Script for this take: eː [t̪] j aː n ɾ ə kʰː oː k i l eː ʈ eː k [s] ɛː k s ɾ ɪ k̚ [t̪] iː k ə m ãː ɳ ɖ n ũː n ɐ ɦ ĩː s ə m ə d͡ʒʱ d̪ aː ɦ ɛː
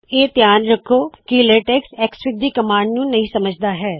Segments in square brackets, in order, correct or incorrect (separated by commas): correct, correct, incorrect